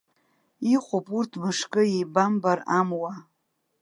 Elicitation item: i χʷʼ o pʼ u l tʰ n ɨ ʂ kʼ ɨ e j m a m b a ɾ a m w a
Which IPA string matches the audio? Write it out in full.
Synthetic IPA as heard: i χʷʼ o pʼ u r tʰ m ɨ ʂ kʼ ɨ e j b a m b a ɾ a m w a